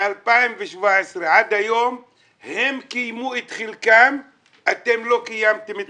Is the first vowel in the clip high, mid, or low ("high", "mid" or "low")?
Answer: low